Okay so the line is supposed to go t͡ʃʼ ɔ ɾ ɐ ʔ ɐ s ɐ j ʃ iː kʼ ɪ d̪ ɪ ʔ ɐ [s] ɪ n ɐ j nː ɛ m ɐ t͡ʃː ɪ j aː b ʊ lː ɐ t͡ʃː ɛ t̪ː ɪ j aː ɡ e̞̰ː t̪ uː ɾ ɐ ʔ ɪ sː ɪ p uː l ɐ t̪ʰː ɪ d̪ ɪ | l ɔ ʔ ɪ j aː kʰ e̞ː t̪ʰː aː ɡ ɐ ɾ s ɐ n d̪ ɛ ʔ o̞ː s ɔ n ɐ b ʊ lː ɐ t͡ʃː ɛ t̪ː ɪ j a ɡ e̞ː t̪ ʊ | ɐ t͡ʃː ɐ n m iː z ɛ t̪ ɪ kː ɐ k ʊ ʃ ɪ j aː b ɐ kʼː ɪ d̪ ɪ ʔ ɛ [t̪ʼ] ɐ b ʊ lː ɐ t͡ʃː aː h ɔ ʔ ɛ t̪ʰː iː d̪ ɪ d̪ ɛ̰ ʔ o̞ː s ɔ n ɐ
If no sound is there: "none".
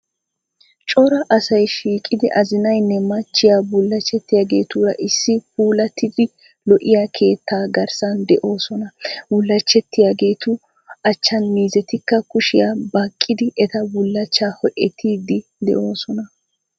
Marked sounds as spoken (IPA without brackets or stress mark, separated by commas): z, t̪